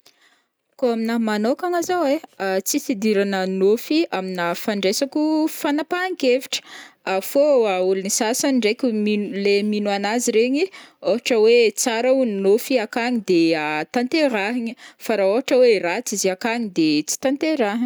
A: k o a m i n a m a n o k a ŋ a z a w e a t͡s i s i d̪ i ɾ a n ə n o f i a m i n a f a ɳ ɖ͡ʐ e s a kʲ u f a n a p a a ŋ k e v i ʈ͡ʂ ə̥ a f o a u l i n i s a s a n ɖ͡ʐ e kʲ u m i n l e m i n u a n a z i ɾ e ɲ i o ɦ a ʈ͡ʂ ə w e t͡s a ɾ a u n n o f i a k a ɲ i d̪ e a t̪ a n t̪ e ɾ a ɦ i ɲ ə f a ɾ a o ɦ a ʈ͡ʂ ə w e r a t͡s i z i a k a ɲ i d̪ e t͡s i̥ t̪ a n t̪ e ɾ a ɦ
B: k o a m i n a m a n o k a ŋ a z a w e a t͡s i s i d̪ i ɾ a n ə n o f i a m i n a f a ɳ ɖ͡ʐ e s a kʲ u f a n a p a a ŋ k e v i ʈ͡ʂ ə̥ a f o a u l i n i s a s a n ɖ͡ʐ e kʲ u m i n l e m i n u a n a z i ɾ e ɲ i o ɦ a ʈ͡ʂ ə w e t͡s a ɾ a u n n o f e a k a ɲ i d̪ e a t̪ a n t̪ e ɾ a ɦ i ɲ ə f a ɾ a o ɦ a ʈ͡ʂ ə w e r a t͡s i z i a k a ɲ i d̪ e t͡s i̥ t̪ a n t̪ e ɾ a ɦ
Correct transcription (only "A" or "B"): A